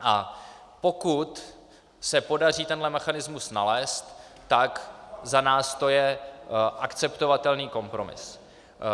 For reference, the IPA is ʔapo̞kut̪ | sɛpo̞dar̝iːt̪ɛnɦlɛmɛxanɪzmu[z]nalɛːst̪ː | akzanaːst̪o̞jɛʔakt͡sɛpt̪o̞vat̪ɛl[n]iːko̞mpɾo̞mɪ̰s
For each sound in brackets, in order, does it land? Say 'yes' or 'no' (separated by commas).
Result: no, yes